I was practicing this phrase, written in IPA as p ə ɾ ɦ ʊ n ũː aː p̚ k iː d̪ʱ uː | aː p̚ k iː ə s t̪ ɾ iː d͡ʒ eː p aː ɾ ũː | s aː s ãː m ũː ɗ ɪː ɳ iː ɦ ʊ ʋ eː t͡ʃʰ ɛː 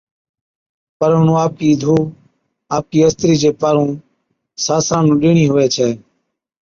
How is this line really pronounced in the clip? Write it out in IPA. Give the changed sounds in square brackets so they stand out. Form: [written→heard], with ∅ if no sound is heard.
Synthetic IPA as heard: p ə ɾ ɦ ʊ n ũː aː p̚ k iː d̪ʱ uː | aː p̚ k iː ə s t̪ ɾ iː d͡ʒ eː p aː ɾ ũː | s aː s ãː [m→n] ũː ɗ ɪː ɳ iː ɦ ʊ ʋ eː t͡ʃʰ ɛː